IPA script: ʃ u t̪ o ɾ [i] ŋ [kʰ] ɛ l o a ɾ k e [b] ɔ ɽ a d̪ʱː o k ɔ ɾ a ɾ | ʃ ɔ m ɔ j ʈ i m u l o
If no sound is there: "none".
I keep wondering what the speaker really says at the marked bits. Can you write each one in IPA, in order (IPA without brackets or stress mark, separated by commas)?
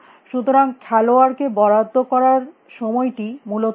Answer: a, kʰ, b